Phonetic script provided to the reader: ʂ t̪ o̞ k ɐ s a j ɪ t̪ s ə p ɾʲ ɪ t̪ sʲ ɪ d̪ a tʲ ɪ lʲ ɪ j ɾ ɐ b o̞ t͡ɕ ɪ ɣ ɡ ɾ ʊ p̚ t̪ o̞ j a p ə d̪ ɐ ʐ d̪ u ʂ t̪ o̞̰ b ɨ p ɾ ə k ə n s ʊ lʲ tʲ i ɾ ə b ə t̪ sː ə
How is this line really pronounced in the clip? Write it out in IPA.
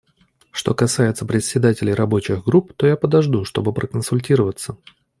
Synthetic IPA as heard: ʂ t̪ o̞ k ɐ s a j ɪ t̪ s ə p ɾʲ ɪ t̪ sʲ ɪ d̪ a tʲ ɪ lʲ ɪ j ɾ ɐ b o̞ t͡ɕ ɪ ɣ ɡ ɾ u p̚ t̪ o̞ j a p ə d̪ ɐ ʐ d̪ u ʂ t̪ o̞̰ b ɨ p ɾ ə k ə n s ʊ lʲ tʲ i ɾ ə v ə t̪ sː ə